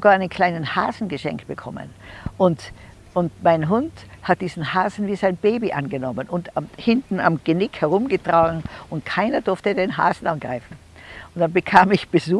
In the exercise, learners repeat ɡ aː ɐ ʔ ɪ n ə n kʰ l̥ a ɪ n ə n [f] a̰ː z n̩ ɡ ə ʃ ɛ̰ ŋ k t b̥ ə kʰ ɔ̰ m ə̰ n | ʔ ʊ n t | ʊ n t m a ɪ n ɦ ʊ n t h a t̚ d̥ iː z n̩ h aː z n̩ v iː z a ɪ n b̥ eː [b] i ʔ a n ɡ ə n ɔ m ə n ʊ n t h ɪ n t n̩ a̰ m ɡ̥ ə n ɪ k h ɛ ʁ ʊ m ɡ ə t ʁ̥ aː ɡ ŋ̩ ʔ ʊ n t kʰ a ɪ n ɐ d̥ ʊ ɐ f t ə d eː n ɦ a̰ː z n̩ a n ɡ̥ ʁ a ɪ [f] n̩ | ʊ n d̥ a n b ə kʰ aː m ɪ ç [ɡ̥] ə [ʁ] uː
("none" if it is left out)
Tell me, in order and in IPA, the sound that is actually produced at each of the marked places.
h, b, f, b̥, z

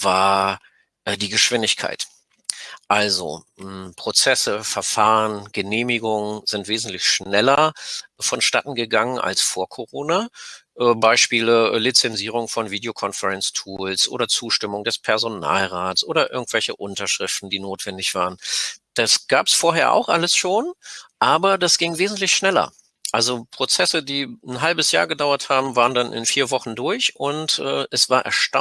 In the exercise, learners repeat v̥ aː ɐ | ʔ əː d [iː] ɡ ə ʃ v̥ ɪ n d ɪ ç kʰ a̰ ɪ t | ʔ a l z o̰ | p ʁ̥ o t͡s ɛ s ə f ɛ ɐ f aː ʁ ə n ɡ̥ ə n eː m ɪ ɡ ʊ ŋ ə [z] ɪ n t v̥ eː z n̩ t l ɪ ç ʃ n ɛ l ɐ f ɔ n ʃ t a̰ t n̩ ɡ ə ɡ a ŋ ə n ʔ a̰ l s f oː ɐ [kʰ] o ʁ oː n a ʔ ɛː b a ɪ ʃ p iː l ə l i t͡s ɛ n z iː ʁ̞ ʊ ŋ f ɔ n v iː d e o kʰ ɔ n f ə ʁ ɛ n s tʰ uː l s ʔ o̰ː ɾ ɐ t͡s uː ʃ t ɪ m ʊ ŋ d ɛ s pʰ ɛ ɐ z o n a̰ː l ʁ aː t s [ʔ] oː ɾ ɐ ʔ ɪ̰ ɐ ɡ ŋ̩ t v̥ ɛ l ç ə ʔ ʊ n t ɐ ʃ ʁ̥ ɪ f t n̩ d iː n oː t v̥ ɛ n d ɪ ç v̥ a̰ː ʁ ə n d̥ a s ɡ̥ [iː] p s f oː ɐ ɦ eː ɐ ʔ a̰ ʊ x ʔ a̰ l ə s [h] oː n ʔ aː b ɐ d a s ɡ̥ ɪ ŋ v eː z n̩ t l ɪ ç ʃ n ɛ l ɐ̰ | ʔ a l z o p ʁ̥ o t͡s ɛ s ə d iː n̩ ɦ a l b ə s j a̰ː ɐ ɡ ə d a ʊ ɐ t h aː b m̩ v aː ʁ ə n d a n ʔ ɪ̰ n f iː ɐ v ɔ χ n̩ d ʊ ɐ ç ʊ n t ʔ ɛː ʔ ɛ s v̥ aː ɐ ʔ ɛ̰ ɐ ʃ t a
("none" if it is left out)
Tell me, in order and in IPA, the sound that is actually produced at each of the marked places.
iː, z, kʰ, ʔ, aː, ʃ

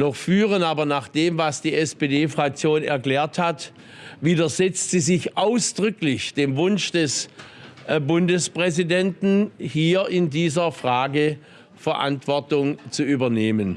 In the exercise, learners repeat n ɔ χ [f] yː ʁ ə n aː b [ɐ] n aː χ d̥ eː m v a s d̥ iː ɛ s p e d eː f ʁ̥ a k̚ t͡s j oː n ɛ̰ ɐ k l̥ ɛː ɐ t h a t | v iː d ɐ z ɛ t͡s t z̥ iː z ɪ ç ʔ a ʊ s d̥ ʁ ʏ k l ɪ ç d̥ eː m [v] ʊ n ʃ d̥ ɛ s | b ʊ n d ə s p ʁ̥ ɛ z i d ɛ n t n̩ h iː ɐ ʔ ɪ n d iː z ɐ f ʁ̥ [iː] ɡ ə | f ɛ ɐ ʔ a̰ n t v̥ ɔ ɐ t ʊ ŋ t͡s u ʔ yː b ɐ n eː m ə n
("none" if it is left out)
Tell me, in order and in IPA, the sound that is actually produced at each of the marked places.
f, ɐ, v, aː

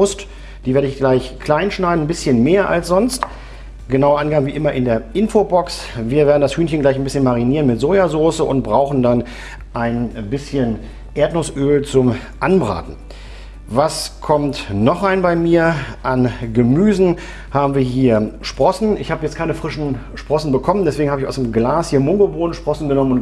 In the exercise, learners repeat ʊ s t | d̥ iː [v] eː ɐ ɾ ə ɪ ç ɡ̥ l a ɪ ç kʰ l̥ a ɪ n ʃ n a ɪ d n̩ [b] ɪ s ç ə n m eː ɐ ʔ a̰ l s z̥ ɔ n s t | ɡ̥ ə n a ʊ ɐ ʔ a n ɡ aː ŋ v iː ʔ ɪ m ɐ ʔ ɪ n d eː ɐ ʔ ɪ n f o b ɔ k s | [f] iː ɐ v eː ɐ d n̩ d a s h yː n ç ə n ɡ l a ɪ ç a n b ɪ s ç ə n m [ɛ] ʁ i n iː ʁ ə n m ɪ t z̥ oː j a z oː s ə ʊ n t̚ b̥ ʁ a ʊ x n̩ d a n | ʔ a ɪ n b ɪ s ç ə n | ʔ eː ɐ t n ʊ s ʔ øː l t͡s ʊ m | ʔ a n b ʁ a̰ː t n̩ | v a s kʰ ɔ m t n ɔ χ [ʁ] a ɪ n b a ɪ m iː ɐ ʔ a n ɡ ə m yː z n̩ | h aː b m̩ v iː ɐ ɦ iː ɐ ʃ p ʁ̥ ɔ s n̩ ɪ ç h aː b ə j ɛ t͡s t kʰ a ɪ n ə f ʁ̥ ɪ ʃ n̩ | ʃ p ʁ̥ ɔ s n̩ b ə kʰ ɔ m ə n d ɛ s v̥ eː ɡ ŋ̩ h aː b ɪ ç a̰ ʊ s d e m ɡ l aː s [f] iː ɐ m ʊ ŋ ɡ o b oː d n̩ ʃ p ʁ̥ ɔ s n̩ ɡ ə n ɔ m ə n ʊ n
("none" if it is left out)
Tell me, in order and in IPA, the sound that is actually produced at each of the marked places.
v, b, v, a, ʁ, h

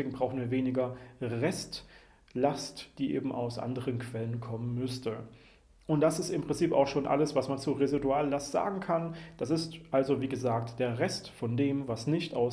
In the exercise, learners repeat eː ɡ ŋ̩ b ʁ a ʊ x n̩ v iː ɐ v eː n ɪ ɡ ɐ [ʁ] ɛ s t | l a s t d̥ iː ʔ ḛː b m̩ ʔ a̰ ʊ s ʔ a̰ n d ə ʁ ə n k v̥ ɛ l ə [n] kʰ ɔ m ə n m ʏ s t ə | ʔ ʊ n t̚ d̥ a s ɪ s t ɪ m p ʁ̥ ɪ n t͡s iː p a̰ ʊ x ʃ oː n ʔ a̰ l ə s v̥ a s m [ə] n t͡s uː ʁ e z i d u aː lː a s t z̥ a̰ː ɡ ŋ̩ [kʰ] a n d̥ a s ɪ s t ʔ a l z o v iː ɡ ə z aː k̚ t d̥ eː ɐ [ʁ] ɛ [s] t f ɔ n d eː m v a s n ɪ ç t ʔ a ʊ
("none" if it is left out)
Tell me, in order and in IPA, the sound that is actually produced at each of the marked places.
ʁ, n, a, kʰ, ʁ, s

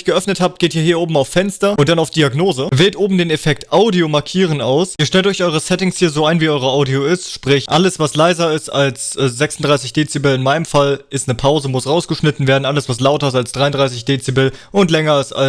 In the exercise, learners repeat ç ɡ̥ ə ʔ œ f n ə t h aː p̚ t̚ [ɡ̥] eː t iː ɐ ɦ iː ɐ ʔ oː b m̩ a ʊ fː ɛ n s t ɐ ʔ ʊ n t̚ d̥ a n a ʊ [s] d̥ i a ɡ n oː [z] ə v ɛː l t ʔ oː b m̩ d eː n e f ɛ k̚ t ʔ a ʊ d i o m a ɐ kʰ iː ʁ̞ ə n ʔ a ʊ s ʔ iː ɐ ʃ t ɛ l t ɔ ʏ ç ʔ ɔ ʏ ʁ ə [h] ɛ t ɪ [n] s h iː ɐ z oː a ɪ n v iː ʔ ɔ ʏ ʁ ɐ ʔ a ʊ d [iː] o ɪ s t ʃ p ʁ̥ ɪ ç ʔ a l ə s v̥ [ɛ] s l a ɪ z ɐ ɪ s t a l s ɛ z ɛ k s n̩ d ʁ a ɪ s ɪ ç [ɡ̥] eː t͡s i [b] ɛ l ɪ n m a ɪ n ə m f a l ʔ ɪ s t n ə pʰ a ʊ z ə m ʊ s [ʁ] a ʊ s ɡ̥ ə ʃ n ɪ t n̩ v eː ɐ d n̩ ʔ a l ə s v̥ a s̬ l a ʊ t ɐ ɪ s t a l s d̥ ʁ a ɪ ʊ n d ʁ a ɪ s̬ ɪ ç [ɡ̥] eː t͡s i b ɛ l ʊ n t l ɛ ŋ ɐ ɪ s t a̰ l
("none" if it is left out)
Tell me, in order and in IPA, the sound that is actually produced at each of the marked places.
ɡ̥, f, z, s, ŋ, i, a, d̥, b, ʁ, d̥

